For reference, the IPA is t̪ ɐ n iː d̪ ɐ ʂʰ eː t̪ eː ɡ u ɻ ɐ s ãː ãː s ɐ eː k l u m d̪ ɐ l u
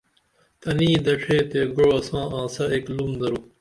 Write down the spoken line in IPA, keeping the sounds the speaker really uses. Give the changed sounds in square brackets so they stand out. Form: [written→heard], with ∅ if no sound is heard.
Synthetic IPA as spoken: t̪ ɐ n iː d̪ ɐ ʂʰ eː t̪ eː ɡ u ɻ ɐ s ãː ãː s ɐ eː k l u m d̪ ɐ [l→ɾ] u